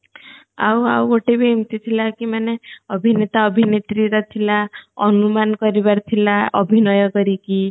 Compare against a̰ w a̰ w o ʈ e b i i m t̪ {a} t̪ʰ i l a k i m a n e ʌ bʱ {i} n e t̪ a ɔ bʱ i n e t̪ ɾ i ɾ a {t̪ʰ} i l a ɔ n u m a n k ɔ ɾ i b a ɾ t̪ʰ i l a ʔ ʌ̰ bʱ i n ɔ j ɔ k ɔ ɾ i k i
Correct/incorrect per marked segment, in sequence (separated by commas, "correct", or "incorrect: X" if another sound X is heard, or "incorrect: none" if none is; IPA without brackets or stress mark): incorrect: i, correct, correct